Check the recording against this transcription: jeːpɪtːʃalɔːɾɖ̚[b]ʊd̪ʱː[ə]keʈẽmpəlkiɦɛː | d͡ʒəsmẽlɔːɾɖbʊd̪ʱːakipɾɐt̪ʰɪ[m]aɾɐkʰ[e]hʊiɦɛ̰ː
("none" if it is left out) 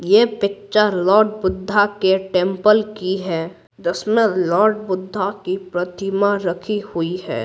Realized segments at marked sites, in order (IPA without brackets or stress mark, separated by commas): b, a, m, i